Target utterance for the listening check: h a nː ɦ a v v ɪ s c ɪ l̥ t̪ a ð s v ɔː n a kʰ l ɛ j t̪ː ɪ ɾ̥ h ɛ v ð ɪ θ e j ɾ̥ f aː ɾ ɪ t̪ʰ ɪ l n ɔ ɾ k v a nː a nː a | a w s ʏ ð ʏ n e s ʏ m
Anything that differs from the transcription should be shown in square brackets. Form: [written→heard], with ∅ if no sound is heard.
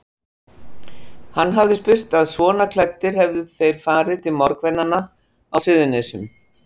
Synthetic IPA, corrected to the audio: h a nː ɦ a v [v→ð] ɪ s [c→p] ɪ [l̥→r̥] t̪ a ð s v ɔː n a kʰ l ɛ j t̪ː ɪ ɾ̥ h ɛ v ð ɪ θ e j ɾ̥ f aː ɾ ɪ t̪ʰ ɪ l [n→m] ɔ ɾ k v [a→ɛ] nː a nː a | a w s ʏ ð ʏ n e s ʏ m